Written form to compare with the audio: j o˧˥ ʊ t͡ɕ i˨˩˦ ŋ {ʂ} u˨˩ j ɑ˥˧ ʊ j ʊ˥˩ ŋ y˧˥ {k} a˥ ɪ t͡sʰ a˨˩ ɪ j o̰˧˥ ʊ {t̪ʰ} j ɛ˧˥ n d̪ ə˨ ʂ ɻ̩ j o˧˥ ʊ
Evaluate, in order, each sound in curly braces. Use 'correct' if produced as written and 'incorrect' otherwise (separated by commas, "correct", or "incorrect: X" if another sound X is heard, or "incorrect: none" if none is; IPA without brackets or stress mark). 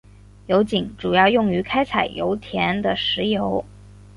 incorrect: ʈ͡ʂ, incorrect: kʰ, correct